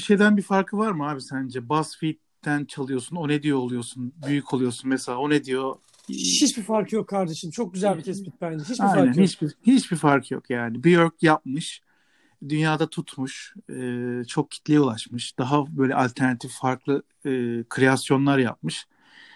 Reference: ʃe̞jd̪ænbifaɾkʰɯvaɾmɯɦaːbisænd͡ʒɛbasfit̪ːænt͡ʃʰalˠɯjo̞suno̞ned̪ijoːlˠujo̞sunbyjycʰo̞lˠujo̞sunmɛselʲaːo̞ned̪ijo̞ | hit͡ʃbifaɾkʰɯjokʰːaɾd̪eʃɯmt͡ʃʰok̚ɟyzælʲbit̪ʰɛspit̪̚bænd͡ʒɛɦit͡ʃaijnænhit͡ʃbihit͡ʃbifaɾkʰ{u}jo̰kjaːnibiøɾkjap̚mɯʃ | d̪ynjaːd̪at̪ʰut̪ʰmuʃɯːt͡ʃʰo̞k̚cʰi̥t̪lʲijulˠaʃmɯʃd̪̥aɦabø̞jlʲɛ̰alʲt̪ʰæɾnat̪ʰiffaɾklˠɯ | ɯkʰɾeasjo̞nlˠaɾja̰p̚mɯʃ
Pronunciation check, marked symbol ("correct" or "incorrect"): incorrect